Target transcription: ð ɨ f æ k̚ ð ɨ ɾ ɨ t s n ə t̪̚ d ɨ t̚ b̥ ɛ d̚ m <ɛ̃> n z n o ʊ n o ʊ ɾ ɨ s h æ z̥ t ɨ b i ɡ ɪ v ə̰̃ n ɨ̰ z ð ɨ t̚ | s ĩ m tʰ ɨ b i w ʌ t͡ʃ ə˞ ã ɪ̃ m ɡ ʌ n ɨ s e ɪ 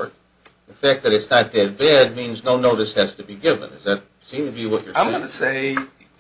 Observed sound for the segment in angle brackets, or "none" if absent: ĩ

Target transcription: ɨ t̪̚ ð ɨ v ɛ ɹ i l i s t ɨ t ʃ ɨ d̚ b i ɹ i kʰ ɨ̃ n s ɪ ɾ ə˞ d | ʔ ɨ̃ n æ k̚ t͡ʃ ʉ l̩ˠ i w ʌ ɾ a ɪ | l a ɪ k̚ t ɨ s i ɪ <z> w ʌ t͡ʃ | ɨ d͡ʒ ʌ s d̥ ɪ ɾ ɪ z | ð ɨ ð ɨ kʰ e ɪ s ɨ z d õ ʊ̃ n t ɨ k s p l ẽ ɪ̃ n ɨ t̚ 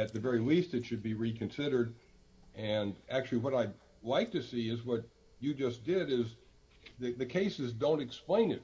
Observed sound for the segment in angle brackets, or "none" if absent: z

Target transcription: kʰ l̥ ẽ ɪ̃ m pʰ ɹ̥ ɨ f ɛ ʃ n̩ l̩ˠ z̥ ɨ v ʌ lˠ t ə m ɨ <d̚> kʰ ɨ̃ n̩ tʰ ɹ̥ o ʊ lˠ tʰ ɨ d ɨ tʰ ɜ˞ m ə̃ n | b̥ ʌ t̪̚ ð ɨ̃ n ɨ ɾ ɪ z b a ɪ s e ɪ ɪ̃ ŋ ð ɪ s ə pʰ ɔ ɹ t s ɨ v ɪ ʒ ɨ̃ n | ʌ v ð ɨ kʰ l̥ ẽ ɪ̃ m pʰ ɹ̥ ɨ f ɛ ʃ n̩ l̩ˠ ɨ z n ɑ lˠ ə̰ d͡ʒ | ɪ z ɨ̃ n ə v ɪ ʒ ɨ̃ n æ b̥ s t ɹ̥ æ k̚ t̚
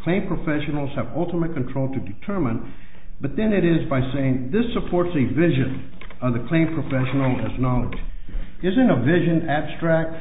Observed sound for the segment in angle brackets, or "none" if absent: t̚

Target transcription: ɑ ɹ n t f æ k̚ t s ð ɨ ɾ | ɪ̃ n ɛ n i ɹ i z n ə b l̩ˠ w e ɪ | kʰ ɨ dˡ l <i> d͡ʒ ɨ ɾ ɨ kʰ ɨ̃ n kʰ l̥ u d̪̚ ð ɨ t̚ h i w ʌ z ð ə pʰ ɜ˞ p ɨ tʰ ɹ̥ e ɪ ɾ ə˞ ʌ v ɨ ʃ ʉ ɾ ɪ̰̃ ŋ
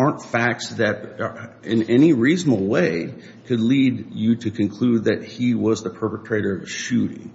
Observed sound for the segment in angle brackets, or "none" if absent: i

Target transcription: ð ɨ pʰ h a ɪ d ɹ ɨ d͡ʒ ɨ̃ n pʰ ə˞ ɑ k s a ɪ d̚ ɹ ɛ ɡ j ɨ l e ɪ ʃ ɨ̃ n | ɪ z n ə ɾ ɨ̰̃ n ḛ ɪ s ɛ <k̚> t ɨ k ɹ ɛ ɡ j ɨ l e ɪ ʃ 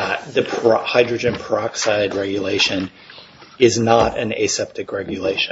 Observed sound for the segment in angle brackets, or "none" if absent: p̚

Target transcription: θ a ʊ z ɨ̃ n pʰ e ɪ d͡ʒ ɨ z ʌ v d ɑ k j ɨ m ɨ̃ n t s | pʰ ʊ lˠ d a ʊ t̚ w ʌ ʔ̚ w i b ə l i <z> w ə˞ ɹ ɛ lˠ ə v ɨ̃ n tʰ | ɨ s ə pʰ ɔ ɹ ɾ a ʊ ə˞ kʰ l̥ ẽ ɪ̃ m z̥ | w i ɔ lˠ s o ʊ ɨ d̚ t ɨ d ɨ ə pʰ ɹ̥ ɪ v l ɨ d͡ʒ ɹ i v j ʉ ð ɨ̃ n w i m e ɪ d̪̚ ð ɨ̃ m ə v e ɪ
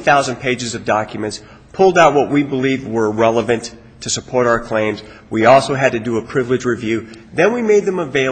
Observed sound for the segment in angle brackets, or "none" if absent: v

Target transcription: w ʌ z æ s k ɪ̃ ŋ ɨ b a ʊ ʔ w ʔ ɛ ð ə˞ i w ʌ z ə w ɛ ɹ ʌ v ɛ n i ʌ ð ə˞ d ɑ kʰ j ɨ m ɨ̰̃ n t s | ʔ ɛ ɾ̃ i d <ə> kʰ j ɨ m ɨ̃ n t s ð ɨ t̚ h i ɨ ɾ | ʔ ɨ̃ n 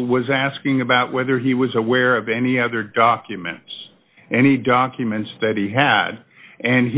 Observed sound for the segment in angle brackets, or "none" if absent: ɑ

